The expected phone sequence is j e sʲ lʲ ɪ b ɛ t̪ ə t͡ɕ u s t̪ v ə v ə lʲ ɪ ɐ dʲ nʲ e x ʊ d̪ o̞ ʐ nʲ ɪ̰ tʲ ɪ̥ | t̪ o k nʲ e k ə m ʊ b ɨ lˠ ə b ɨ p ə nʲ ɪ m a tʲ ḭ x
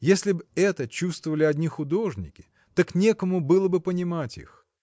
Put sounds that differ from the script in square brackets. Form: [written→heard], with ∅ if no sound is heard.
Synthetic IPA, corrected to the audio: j e sʲ lʲ ɪ b ɛ t̪ ə t͡ɕ u s t̪ v ə v ə lʲ ɪ ɐ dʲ nʲ [e→i] x ʊ d̪ o̞ ʐ nʲ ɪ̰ [tʲ→kʲ] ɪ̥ | t̪ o k nʲ e k ə m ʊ b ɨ lˠ ə b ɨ p ə nʲ ɪ m a tʲ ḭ x

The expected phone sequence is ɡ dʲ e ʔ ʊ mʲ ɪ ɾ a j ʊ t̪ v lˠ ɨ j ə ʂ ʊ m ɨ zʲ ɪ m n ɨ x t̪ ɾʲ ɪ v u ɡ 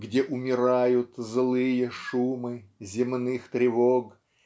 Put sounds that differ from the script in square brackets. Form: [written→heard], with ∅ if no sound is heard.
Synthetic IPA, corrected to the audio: ɡ dʲ e ʔ ʊ mʲ ɪ ɾ a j ʊ t̪ [v→z] lˠ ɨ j ə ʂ [ʊ→u] m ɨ zʲ ɪ m n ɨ x t̪ ɾʲ ɪ v [u→o] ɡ

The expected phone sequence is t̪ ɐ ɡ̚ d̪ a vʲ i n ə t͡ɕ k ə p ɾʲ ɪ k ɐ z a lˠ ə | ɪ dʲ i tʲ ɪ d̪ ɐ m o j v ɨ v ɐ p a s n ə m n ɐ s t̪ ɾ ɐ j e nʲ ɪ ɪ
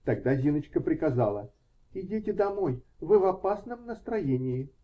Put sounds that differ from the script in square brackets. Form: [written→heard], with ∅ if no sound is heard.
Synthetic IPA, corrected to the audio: t̪ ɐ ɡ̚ d̪ a [vʲ→zʲ] i n ə t͡ɕ k ə p ɾʲ ɪ k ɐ z a lˠ ə | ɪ dʲ i tʲ ɪ d̪ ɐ m o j v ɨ v ɐ p a s n ə m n [ɐ→ə] s t̪ ɾ ɐ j e nʲ ɪ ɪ

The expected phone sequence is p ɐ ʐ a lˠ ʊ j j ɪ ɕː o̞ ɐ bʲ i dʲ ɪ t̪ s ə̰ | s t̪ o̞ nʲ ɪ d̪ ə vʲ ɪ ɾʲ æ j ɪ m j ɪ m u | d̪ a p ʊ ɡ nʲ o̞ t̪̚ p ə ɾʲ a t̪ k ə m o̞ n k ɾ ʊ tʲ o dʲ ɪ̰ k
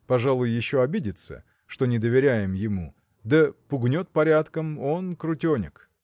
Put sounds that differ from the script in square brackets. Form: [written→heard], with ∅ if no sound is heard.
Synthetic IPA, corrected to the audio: p ɐ ʐ a lˠ ʊ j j ɪ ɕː o̞ ɐ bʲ i dʲ ɪ t̪ s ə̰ | [s→ʂ] t̪ o̞ nʲ ɪ d̪ ə vʲ ɪ ɾʲ æ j ɪ m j ɪ m u | d̪ [a→ə] p ʊ ɡ nʲ o̞ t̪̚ p [ə→ɐ] ɾʲ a t̪ k ə m o̞ n k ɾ ʊ tʲ o [dʲ→nʲ] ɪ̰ k

